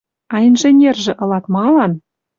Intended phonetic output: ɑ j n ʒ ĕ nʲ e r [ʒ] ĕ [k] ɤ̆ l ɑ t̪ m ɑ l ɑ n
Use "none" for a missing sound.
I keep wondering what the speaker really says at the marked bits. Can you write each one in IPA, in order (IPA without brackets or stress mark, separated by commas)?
ʒ, ʔ